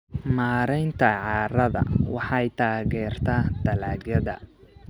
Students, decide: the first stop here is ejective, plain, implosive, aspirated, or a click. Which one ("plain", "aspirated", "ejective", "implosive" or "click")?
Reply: aspirated